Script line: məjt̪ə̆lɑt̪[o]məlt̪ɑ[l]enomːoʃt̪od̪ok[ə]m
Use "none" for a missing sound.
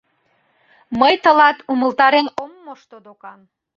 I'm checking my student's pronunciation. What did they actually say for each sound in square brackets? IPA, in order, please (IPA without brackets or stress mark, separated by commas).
u, ɾ, ɑ